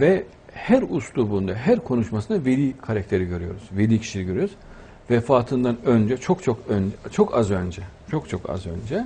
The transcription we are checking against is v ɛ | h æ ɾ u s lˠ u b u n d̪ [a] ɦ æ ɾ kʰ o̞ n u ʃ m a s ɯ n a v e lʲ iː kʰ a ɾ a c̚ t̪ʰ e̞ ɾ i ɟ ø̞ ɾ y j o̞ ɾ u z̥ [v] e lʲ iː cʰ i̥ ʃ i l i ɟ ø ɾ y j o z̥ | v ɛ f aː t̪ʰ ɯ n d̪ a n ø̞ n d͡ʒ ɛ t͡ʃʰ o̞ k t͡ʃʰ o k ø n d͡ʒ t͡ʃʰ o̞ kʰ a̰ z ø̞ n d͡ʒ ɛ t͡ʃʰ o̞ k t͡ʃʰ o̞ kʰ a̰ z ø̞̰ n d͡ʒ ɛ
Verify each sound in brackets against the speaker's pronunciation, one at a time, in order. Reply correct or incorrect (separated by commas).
correct, correct